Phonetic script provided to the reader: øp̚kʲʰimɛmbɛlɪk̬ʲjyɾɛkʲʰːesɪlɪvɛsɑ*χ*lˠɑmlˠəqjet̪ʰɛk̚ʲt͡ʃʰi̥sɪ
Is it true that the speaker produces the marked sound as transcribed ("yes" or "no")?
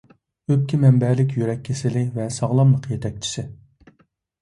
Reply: no